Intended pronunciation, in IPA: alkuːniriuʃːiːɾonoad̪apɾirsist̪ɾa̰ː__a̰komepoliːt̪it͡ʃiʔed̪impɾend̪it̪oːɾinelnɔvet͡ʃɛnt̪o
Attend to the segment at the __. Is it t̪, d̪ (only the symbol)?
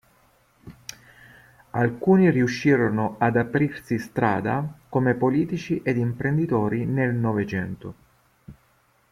d̪